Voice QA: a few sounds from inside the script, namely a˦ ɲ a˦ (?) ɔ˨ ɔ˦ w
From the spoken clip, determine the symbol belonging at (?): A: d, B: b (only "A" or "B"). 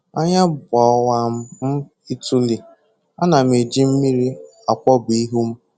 B